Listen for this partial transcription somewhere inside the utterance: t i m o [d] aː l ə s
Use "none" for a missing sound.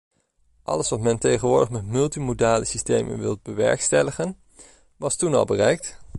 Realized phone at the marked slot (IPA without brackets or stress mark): d